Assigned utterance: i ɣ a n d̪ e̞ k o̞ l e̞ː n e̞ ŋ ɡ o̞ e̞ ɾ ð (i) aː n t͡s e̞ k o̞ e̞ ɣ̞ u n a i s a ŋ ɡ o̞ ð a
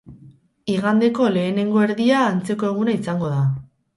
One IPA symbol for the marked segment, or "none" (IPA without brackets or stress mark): i